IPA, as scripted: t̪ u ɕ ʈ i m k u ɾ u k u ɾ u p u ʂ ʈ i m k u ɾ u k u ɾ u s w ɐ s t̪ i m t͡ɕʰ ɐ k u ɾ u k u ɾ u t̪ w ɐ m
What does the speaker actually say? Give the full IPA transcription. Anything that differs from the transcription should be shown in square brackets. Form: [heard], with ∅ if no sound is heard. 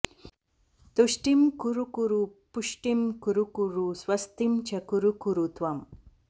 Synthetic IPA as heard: t̪ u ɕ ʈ i m k u ɾ u k u ɾ u p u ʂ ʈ i m k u ɾ u k u ɾ u s w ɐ s t̪ i m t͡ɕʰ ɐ k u ɾ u k u ɾ u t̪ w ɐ m